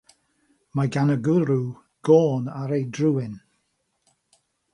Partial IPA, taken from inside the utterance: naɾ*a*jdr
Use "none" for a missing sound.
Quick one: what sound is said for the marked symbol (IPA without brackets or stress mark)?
e